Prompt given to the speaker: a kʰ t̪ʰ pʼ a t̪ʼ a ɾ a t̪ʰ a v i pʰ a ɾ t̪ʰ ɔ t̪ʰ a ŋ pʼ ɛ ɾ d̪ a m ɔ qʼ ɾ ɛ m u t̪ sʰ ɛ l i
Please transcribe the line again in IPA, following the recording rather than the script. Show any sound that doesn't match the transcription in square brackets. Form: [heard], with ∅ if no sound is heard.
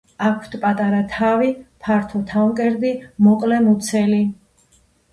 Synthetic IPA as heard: a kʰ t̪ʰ pʼ a t̪ʼ a ɾ a t̪ʰ a v i pʰ a ɾ t̪ʰ ɔ t̪ʰ a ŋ [kʼ] ɛ ɾ d̪ [i] m ɔ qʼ [l] ɛ m u t̪ sʰ ɛ l i